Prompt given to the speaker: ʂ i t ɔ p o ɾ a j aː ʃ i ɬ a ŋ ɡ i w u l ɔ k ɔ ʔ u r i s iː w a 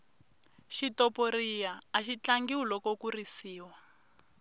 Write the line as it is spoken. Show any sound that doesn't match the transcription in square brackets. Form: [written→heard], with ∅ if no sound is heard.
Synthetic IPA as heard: [ʂ→ʃ] i t ɔ p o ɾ [a→i] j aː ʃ i [ɬ→t͡ɬ] a ŋ ɡ i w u l ɔ k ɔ [ʔ→k] u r i s iː w a